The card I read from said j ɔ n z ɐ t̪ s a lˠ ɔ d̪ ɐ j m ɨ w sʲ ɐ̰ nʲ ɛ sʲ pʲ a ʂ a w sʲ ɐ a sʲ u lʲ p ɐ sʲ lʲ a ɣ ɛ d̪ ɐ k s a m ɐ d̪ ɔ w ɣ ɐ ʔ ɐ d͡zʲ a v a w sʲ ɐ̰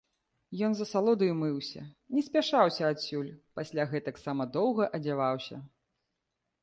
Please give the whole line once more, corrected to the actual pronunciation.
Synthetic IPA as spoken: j ɔ n z ɐ s a lˠ ɔ d̪ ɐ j m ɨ w sʲ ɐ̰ nʲ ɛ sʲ pʲ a ʂ a w sʲ ɐ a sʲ u lʲ p a sʲ lʲ a ɣ ɛ t̪ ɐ k s a m ɐ d̪ ɔ w ɣ ɐ ʔ ɐ d͡zʲ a v a w sʲ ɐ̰